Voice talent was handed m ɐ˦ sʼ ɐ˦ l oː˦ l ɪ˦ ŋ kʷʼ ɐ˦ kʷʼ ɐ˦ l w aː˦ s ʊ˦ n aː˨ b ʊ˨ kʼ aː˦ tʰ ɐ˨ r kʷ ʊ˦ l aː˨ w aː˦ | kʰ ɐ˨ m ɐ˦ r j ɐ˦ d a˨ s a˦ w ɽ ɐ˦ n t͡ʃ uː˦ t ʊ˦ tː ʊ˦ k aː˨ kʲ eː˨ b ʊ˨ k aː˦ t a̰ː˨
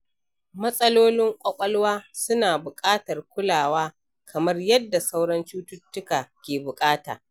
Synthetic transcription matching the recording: m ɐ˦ sʼ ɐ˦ l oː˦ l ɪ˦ ŋ kʷʼ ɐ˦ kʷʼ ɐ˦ l w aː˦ s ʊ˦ n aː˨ b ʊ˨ kʼ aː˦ t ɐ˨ r kʷ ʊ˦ l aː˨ w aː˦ | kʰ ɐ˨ m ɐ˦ r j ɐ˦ dː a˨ s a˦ w ɽ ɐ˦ n t͡ʃ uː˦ t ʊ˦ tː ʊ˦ k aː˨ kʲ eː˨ b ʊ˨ kʼ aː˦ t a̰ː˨